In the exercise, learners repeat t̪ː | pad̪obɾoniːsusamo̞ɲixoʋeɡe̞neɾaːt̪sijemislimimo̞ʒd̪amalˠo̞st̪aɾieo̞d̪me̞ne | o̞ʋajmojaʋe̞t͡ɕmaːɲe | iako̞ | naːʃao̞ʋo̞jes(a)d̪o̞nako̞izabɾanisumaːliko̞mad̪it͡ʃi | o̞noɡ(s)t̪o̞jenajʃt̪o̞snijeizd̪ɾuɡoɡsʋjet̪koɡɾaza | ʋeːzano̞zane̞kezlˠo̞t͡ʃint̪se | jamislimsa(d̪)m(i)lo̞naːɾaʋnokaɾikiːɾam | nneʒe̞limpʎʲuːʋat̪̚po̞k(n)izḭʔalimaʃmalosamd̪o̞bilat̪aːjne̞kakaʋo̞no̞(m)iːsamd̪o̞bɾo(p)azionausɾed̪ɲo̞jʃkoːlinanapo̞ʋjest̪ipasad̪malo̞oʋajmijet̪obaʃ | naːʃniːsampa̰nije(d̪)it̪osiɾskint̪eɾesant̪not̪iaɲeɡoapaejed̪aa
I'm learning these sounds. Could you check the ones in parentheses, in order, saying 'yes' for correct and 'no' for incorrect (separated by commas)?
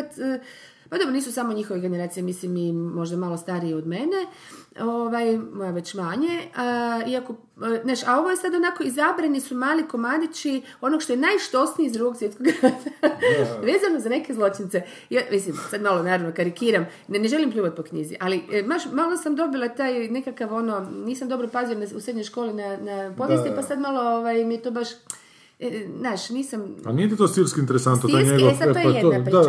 yes, no, yes, no, no, no, yes, no